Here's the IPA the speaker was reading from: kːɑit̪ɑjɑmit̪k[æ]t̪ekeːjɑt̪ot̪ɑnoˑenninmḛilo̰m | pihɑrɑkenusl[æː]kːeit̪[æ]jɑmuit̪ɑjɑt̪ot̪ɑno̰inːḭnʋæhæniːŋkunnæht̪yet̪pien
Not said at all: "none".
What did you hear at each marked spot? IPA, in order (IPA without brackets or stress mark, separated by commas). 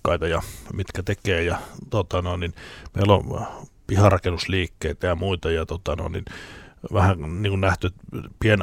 æ, iː, æ